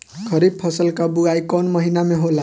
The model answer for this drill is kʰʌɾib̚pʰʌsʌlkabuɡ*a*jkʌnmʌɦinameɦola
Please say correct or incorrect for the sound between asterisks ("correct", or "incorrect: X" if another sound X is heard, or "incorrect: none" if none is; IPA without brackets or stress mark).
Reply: correct